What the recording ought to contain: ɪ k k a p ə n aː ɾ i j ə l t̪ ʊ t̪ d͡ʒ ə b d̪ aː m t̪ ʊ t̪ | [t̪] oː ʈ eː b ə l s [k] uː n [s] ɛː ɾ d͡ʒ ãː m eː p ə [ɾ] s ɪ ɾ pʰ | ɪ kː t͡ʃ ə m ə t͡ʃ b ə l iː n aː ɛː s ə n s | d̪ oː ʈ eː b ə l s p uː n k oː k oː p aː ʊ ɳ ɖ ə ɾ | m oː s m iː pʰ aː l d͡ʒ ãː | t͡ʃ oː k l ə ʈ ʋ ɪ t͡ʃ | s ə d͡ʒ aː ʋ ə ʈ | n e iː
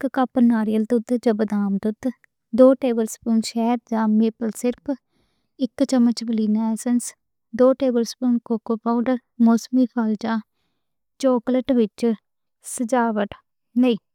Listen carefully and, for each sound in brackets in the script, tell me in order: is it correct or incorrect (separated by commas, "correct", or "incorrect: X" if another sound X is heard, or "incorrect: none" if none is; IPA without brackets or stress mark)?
incorrect: d̪, incorrect: p, incorrect: ʃ, incorrect: l